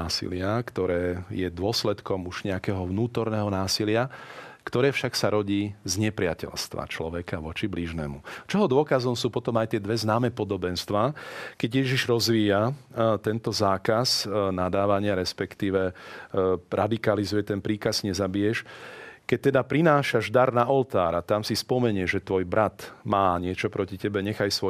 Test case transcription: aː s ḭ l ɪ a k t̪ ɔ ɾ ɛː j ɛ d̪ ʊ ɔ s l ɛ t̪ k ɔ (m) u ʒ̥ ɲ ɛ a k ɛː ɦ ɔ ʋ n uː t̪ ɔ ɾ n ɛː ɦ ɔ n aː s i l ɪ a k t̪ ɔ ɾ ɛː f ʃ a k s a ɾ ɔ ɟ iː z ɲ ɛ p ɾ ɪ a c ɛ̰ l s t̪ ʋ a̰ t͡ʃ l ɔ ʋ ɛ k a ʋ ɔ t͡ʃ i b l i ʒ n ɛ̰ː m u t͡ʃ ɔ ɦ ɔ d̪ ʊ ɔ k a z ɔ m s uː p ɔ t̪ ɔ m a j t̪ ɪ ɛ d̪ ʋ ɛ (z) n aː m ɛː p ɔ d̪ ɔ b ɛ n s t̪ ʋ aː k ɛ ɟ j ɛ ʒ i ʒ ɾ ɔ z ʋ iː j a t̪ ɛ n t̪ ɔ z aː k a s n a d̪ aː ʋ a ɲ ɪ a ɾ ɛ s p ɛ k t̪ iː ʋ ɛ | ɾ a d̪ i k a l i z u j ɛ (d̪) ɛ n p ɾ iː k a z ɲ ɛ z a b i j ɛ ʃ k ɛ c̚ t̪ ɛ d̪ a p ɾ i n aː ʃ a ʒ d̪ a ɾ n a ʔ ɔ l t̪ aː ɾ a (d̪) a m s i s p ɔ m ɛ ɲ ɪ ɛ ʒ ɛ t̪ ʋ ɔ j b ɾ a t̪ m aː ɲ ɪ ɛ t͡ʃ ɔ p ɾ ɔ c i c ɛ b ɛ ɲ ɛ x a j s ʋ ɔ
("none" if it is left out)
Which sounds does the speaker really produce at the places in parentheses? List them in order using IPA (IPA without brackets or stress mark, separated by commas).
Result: m, z, t̪, t̪